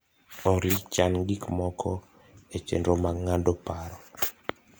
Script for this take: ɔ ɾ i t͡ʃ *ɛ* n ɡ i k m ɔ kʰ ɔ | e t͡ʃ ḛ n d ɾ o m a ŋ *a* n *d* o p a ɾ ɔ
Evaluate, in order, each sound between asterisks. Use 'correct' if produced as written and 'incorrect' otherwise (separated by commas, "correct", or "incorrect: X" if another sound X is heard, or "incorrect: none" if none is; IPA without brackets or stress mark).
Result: incorrect: a, correct, correct